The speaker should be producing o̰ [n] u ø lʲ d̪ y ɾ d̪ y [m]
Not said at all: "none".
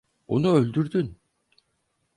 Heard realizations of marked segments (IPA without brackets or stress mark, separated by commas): n, n